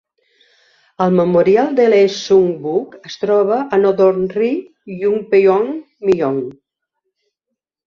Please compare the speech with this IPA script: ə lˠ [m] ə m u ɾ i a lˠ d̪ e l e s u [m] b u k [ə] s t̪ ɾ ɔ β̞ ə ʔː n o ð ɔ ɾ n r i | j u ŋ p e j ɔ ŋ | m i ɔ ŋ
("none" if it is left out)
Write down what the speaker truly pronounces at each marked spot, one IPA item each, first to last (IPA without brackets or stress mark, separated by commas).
m, ŋ, ə